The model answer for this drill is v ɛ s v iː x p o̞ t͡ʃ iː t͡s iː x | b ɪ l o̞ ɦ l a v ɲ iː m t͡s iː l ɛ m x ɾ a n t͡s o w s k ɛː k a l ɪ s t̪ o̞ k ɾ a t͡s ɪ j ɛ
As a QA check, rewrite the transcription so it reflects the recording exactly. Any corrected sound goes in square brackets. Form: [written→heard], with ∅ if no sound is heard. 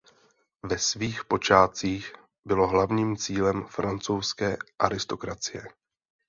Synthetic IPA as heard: v ɛ s v iː x p o̞ t͡ʃ [iː→aː] t͡s iː x | b ɪ l o̞ ɦ l a v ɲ iː m t͡s iː l ɛ m [x→f] ɾ a n t͡s o w s k ɛː [k→ʔ] a [l→ɾ] ɪ s t̪ o̞ k ɾ a t͡s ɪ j ɛ